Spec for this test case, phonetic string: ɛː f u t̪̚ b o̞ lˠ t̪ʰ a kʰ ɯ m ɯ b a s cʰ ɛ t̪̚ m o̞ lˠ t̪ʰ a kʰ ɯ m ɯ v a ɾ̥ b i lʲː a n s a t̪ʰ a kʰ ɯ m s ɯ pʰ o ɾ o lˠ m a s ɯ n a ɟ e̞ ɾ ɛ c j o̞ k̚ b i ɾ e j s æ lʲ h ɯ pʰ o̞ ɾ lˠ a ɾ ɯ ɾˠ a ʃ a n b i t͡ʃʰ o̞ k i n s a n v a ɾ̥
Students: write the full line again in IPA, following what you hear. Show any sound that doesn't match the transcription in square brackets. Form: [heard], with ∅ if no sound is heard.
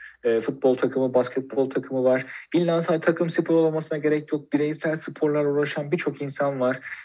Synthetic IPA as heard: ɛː f u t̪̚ b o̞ lˠ t̪ʰ a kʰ ɯ m ɯ b a s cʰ ɛ t̪̚ [b] o̞ lˠ t̪ʰ a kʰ ɯ m ɯ v a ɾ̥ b i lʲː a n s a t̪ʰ a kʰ ɯ m s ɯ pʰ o ɾ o lˠ m a s ɯ n a ɟ e̞ ɾ ɛ c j o̞ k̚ b i ɾ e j s æ lʲ [s] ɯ pʰ o̞ ɾ lˠ a ɾ [u] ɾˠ a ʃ a n b i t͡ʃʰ o̞ k i n s a n v a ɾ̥